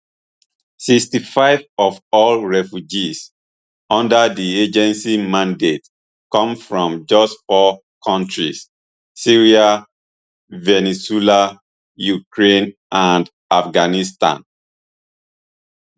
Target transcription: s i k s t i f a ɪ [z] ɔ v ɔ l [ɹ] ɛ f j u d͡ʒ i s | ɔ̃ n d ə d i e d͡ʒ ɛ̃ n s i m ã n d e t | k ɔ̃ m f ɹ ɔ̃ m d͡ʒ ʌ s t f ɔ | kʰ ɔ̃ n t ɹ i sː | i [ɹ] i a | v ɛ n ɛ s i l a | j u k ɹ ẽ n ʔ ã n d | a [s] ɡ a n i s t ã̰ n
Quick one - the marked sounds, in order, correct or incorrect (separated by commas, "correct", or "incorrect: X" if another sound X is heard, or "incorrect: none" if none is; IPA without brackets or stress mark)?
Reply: incorrect: v, correct, correct, incorrect: f